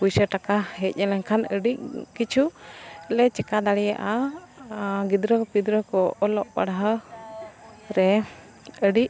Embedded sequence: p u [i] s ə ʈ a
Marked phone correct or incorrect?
incorrect